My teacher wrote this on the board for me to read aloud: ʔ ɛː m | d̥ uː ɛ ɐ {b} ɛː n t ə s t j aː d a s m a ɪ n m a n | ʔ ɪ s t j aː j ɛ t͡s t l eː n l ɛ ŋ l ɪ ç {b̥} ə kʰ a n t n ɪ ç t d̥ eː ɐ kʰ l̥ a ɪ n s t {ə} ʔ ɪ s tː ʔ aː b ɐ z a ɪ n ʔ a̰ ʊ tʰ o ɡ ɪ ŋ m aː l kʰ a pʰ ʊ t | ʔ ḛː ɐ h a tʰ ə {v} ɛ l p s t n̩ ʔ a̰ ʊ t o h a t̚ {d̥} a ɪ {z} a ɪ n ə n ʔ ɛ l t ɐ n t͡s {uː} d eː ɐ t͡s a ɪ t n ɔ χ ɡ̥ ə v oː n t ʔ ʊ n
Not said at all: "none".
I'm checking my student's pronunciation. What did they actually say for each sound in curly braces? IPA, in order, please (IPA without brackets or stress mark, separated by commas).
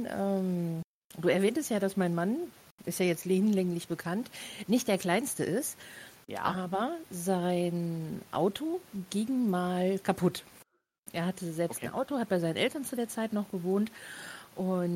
v, b̥, ə, z, b̥, z, u